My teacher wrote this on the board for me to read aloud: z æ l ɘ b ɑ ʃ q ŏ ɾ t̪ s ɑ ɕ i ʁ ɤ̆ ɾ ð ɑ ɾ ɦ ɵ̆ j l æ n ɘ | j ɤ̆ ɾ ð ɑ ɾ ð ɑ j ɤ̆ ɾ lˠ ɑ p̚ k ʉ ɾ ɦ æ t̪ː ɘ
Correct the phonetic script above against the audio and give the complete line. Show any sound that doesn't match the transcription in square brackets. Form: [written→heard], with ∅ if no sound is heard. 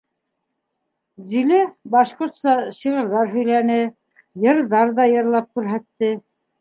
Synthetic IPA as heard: z [æ→i] l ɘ b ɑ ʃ q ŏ ɾ t̪ s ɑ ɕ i ʁ ɤ̆ ɾ ð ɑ ɾ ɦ ɵ̆ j l æ n ɘ | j ɤ̆ ɾ ð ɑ ɾ ð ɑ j ɤ̆ ɾ lˠ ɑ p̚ k ʉ ɾ ɦ æ t̪ː ɘ